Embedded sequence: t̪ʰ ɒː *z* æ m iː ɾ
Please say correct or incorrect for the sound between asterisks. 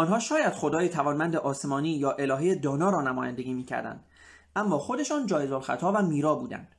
incorrect